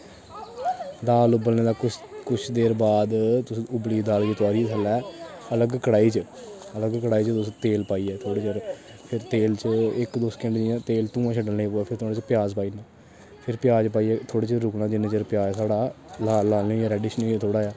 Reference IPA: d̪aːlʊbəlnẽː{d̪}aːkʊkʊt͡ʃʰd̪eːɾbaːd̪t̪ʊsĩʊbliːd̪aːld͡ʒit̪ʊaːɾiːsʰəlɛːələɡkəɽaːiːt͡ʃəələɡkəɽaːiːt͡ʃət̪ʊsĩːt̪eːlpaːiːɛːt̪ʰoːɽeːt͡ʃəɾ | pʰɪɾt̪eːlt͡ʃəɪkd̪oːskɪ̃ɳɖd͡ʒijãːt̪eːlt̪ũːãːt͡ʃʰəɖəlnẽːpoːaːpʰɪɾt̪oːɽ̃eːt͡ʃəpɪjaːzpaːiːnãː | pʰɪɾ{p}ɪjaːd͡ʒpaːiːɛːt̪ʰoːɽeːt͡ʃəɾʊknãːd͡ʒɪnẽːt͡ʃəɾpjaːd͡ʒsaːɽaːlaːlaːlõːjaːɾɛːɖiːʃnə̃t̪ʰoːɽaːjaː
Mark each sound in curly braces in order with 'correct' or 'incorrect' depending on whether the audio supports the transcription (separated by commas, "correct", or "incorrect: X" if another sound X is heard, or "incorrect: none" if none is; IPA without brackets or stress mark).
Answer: correct, correct